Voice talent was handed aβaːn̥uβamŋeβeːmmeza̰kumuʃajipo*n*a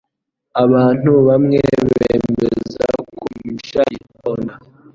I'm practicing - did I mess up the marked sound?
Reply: no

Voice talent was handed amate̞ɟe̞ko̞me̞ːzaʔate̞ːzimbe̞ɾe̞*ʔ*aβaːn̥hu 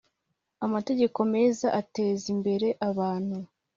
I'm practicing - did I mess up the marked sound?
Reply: no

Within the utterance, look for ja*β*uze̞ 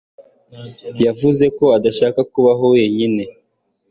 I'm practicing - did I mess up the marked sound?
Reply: yes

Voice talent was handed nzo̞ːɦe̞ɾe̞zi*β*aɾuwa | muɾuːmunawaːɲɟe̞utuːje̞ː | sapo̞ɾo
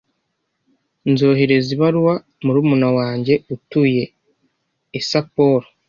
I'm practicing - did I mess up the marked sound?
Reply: no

